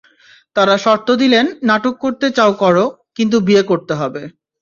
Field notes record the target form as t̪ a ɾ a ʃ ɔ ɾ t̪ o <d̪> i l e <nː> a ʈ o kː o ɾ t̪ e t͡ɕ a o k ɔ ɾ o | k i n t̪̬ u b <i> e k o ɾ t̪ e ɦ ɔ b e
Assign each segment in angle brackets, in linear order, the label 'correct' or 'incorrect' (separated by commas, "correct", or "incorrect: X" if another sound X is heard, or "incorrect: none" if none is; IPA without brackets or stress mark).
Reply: correct, correct, correct